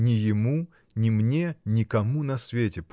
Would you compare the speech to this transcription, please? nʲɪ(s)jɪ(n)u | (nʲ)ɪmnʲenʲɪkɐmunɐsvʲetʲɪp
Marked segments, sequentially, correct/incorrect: incorrect: none, incorrect: m, correct

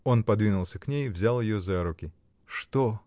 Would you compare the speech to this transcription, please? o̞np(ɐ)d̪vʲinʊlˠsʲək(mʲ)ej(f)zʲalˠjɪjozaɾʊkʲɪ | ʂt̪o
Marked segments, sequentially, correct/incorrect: correct, incorrect: nʲ, incorrect: v

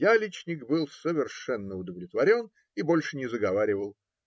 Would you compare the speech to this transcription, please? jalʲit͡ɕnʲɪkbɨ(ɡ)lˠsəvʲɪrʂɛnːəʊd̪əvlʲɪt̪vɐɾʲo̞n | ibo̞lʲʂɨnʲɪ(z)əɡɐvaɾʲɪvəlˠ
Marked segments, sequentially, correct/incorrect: incorrect: none, correct

